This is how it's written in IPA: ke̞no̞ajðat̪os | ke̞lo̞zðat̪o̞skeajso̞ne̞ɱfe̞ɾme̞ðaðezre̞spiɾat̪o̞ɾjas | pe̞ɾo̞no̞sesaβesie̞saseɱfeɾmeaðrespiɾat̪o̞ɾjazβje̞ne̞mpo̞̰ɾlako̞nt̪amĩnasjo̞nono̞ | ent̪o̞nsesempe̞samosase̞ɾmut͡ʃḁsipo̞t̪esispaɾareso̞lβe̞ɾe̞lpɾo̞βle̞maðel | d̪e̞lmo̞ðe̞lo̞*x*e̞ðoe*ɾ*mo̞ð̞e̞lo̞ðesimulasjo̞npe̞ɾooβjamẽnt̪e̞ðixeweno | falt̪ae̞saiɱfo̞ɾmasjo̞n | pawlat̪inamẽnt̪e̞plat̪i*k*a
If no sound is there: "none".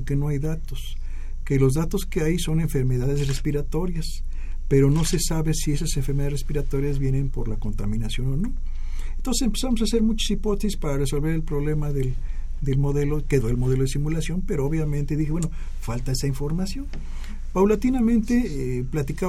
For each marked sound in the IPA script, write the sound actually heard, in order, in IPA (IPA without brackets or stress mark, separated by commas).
k, l, k